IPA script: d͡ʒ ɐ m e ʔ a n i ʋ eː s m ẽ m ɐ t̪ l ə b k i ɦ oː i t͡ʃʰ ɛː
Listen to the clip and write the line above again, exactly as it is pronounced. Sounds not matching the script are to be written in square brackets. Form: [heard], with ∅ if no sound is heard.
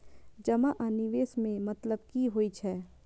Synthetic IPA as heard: d͡ʒ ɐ m [a] ʔ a n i ʋ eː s m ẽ m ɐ t̪ l ə b k i ɦ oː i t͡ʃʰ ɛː